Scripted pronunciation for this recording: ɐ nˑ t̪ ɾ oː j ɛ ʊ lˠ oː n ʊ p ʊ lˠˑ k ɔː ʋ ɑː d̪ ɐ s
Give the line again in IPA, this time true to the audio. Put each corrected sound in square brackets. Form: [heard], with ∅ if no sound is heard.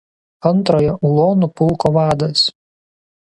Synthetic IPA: ɐ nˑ t̪ ɾ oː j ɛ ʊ lˠ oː n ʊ p ʊ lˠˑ k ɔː ʋ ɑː d̪ ɐ s